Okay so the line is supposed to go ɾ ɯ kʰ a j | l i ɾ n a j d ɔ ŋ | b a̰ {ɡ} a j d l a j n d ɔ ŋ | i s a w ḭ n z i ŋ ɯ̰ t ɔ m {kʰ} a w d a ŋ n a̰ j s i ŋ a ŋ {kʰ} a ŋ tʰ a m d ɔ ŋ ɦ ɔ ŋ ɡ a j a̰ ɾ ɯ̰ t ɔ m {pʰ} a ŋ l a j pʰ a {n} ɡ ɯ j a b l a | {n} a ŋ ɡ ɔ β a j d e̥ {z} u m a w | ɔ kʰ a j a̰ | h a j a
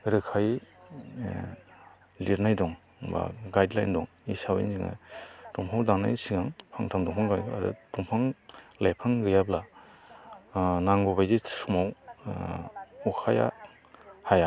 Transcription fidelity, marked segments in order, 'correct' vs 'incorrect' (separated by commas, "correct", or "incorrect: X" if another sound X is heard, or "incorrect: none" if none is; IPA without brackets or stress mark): correct, incorrect: pʰ, incorrect: pʰ, correct, incorrect: ŋ, correct, incorrect: s